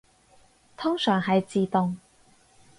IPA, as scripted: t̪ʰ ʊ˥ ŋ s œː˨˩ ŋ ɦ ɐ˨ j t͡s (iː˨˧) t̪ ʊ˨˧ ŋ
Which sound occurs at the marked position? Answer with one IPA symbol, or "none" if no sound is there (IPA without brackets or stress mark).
iː˨˧